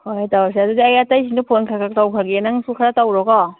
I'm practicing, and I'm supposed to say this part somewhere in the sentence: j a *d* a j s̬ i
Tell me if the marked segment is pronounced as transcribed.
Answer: no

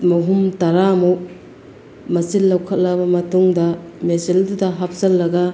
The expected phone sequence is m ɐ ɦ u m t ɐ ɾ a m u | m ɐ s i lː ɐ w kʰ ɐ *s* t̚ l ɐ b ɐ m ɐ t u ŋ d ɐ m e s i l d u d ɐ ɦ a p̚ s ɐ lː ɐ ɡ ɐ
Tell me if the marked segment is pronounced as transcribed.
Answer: no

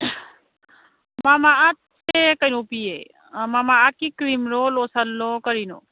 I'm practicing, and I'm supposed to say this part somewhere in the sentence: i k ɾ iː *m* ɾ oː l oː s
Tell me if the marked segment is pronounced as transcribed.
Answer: yes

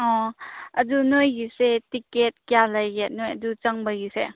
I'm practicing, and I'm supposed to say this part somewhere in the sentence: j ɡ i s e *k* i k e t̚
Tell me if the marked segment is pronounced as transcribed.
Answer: no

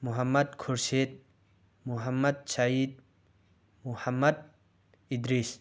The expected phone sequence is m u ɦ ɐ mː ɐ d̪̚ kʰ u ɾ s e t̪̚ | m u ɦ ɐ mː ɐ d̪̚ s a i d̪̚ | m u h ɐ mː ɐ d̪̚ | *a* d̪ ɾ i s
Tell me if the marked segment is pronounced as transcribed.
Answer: no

